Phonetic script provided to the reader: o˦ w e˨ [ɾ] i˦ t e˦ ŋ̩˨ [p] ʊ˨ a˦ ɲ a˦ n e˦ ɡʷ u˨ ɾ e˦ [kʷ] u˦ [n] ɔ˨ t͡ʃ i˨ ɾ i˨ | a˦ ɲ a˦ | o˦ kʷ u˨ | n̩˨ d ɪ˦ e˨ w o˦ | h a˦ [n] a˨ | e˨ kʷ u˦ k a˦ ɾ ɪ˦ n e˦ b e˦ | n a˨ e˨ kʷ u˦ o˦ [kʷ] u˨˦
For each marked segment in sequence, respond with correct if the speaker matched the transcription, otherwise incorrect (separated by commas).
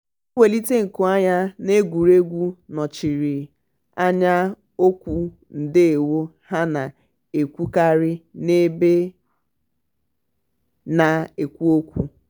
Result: incorrect, incorrect, incorrect, correct, correct, correct